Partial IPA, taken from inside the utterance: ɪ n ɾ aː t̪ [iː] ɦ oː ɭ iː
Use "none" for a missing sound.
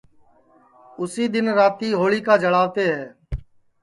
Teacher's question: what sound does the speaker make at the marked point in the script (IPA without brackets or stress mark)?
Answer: iː